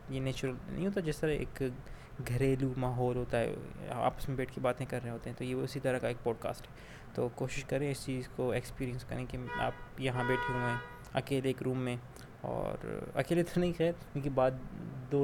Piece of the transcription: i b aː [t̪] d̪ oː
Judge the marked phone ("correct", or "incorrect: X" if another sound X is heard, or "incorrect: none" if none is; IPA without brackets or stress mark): incorrect: d̪